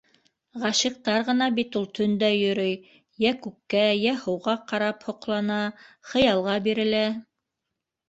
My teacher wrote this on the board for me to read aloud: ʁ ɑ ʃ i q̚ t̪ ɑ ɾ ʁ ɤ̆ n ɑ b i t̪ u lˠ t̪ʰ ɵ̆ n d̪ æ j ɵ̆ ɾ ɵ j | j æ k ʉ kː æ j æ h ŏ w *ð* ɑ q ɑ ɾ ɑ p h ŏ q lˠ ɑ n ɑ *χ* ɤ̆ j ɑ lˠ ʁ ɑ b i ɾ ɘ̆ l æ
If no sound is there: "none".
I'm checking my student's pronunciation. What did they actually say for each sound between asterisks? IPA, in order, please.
ʁ, χ

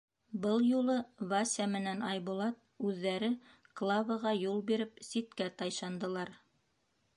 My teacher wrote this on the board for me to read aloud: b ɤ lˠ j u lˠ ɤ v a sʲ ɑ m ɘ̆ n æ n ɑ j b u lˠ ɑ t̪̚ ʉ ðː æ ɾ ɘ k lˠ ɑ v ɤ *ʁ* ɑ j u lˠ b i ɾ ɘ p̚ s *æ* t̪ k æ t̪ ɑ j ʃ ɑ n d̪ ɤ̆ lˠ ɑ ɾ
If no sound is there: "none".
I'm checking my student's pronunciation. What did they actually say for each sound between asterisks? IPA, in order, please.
ʁ, i

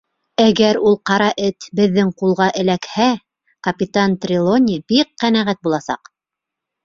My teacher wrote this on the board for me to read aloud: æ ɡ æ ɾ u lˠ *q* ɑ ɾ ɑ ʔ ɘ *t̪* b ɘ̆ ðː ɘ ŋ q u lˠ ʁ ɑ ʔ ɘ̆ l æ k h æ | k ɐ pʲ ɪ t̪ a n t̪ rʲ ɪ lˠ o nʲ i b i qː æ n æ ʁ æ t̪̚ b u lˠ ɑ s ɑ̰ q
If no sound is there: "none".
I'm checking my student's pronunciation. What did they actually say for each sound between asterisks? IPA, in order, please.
q, t̪

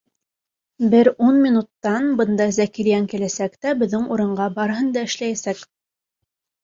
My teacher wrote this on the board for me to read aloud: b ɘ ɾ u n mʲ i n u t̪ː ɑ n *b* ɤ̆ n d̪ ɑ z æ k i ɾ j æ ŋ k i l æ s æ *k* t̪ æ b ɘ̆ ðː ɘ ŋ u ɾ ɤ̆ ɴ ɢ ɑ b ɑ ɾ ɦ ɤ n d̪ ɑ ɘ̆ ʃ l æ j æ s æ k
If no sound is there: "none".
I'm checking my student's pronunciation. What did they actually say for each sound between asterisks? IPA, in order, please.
b, k

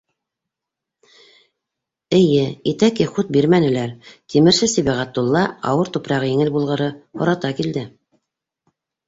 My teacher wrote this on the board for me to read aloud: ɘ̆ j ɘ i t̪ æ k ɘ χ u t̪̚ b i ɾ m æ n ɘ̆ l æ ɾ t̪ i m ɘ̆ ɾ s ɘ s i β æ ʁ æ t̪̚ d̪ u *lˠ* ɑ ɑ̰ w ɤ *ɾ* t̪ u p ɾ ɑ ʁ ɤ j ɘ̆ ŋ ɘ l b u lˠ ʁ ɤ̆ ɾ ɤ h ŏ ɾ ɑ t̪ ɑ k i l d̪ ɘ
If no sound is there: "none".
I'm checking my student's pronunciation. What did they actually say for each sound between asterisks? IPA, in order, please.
lˠː, ɾ

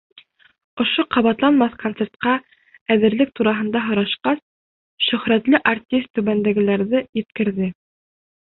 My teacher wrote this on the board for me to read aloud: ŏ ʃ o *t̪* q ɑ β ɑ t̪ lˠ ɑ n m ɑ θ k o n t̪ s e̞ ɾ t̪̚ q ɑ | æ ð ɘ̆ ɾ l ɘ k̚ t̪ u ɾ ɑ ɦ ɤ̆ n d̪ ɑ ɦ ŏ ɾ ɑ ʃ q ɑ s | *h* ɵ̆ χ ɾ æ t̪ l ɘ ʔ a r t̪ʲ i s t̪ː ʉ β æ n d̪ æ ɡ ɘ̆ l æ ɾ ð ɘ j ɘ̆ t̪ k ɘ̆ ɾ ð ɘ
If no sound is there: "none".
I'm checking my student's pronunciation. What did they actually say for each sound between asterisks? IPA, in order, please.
none, ʃ

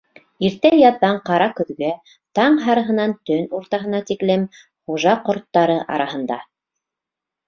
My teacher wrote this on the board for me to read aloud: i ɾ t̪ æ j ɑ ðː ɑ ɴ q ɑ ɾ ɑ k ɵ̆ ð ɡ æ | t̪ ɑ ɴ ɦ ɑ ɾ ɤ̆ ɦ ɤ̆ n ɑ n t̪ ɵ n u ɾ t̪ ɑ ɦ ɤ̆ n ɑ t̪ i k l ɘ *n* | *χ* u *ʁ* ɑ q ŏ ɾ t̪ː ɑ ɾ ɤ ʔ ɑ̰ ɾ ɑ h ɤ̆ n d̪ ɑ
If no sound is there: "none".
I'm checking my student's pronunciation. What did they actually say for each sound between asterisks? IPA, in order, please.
m, χ, ʒ

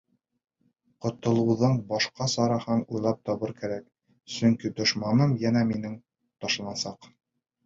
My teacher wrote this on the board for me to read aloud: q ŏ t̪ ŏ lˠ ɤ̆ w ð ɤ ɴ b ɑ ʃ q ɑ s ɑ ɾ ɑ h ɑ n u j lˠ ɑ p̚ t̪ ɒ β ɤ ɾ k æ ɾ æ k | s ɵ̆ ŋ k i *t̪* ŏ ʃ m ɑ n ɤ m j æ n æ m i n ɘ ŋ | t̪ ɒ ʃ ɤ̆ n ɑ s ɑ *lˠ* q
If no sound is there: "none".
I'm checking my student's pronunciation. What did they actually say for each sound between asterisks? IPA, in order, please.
d̪, none

